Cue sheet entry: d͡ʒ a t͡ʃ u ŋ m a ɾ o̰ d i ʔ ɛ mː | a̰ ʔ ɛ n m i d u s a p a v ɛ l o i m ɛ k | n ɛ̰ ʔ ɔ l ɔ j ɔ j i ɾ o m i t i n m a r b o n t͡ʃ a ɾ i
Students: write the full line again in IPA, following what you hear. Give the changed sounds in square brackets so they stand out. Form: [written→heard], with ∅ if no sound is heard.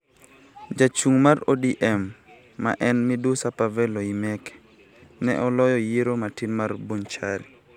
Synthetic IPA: d͡ʒ a t͡ʃ u ŋ m a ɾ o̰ d i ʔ ɛ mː | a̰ ʔ ɛ n m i d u s a p a v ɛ l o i m ɛ k | n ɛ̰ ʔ ɔ l ɔ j ɔ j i ɾ o m [i→a] t i n m a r b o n t͡ʃ a ɾ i